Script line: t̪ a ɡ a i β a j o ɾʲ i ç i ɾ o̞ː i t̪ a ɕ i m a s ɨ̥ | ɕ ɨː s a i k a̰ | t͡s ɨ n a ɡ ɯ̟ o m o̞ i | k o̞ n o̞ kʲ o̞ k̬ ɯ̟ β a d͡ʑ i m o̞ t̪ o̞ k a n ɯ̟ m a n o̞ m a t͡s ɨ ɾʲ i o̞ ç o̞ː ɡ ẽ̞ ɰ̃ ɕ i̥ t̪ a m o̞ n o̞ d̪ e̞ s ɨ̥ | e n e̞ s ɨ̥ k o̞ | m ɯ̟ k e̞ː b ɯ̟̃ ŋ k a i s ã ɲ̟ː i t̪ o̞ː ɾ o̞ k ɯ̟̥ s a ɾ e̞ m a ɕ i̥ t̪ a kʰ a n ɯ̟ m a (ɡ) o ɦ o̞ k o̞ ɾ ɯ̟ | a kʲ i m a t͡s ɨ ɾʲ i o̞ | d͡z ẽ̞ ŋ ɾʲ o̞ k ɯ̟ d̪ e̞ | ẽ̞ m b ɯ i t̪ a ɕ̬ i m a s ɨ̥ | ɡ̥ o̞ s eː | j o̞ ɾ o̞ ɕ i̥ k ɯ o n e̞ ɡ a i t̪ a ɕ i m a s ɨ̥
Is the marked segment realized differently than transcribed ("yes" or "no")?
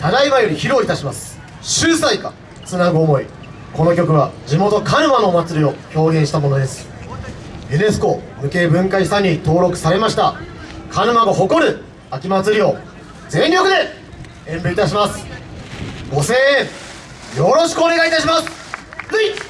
no